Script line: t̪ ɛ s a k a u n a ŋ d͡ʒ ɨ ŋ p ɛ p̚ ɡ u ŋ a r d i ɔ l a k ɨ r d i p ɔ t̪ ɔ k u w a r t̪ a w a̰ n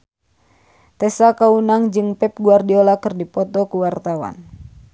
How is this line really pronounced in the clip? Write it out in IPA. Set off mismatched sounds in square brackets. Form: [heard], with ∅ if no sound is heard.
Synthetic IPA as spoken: t̪ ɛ s a k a u n a ŋ d͡ʒ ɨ ŋ p ɛ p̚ ɡ u [∅] a r d i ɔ l a k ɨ r d i p ɔ t̪ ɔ k u w a r t̪ a w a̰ n